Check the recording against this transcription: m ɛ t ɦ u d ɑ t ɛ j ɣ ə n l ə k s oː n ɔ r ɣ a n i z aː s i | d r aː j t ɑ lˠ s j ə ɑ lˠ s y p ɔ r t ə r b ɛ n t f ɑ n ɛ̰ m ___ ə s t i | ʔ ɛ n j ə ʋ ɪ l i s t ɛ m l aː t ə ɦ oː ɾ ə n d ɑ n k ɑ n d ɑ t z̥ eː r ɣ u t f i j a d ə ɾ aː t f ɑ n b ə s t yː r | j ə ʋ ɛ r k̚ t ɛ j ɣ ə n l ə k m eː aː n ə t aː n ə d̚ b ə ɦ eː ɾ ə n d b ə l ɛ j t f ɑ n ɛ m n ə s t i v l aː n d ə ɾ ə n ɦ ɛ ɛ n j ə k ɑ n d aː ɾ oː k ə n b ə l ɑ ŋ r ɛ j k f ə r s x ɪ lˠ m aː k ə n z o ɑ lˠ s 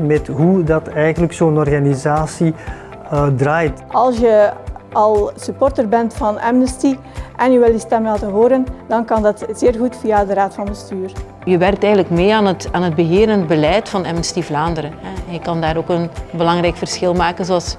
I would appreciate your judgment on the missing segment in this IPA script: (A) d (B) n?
B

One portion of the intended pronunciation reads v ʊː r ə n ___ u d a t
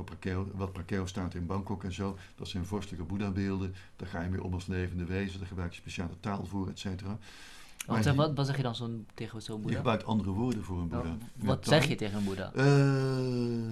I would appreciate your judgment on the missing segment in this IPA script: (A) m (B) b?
B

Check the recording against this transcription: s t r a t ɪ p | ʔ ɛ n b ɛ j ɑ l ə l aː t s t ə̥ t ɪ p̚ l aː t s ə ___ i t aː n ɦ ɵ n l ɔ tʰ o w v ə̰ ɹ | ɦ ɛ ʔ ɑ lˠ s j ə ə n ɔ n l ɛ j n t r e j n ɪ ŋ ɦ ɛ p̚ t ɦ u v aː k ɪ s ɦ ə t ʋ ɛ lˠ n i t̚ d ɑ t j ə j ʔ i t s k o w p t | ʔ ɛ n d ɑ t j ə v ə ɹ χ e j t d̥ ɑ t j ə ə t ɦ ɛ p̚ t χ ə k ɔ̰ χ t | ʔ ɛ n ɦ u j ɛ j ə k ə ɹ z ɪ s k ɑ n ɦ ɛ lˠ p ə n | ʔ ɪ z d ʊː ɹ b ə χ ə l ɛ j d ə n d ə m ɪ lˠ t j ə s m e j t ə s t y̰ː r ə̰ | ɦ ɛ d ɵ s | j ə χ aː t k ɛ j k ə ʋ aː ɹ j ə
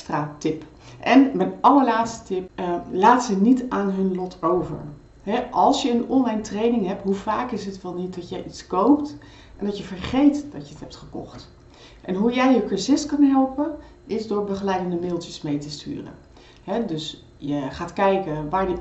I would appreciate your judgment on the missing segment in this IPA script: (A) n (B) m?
A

